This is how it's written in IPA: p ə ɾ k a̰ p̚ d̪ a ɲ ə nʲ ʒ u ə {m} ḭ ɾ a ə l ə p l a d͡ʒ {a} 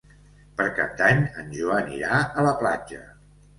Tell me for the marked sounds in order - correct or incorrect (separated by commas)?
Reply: incorrect, incorrect